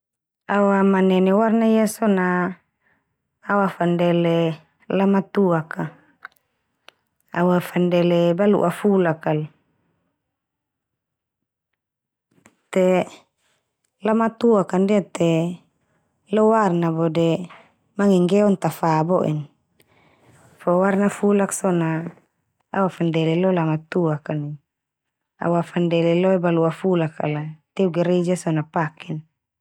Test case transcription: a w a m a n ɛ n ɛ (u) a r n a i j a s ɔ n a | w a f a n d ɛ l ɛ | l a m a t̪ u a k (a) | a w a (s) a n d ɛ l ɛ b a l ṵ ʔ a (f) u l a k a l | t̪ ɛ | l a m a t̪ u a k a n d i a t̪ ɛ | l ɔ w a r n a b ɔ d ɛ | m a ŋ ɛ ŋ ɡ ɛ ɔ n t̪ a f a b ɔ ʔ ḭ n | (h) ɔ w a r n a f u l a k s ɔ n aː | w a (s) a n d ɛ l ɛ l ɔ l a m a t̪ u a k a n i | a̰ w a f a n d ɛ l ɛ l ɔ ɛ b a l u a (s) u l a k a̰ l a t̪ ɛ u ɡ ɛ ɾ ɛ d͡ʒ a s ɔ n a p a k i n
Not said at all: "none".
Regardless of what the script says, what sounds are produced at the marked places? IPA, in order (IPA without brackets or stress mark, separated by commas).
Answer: w, a, f, f, f, f, f